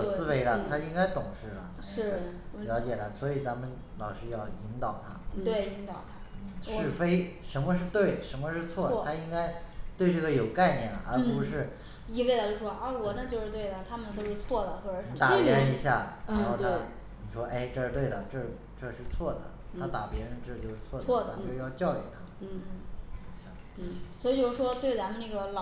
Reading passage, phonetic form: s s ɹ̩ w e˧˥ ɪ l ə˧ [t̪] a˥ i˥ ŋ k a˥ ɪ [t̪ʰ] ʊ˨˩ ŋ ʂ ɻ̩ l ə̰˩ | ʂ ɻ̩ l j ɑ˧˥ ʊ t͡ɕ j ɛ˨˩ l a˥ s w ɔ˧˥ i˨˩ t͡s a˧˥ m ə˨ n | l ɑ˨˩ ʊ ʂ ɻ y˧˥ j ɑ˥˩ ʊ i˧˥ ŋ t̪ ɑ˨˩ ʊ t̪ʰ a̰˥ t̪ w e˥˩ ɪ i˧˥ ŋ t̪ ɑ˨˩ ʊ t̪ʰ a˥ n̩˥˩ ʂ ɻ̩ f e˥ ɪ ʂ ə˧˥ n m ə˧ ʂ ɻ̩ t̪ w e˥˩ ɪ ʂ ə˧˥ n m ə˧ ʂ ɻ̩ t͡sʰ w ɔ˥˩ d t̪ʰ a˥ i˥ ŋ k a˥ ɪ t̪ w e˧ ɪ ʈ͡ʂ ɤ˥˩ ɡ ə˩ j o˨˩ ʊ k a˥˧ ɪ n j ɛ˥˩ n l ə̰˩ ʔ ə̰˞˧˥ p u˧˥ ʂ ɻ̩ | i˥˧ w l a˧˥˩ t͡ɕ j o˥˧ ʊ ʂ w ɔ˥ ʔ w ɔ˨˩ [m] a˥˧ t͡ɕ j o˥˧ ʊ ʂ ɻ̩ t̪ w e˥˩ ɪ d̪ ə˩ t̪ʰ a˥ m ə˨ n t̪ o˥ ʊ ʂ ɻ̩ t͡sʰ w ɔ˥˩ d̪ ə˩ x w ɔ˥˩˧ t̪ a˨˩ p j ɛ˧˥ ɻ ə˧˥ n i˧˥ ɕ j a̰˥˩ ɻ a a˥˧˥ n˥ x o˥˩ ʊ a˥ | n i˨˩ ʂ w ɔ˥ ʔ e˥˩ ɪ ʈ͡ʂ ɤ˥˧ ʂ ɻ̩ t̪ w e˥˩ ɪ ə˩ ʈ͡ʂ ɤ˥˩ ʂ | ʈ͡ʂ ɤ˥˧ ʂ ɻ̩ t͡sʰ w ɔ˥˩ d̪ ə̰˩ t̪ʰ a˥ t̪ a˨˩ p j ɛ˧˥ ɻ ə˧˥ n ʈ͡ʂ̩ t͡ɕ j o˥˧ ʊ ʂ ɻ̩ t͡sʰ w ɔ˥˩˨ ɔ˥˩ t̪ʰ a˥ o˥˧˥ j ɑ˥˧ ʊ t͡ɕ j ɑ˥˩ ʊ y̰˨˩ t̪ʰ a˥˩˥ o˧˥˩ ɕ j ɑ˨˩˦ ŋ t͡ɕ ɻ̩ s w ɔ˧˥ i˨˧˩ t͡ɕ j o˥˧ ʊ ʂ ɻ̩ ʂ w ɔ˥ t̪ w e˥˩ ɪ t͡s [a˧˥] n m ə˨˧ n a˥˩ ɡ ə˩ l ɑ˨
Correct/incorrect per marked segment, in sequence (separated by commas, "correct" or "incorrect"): incorrect, incorrect, incorrect, correct